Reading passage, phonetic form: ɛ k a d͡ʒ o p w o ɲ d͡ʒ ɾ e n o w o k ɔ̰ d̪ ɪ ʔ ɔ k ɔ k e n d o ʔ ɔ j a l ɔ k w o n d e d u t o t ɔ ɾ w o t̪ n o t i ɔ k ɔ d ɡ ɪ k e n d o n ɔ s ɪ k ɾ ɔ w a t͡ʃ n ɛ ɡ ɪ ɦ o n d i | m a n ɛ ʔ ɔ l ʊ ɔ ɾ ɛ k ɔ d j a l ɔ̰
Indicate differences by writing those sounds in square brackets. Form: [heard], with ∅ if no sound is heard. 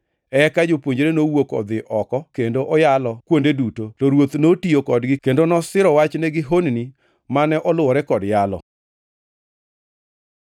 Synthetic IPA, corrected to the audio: ɛ k a d͡ʒ o p w o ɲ d͡ʒ ɾ e n o w o k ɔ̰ d̪ ɪ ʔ ɔ k ɔ k e n d o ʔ ɔ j a l ɔ k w o n d e d u t o t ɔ ɾ w o t̪ n o t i [o] k ɔ d ɡ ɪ k e n d o n ɔ s ɪ [∅] ɾ ɔ w a t͡ʃ n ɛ ɡ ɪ ɦ o n [n] i | m a n ɛ ʔ ɔ l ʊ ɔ ɾ ɛ k ɔ d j a l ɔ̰